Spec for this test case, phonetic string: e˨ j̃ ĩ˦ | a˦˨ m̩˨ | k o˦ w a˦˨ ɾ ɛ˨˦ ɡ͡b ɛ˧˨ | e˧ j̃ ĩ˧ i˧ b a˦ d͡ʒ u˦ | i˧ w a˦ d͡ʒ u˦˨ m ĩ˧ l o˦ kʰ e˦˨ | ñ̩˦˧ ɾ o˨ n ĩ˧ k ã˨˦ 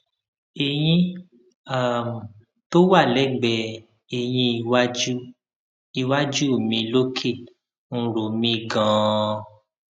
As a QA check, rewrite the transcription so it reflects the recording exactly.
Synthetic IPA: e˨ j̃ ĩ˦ | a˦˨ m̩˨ | t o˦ w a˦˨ l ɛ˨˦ ɡ͡b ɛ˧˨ | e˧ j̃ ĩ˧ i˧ w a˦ d͡ʒ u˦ | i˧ w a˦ d͡ʒ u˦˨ m ĩ˧ l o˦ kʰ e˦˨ | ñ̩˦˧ ɾ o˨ m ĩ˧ ɡ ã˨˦